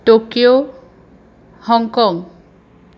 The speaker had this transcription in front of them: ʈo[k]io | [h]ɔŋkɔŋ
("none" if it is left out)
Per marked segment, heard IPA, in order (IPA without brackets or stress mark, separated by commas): k, h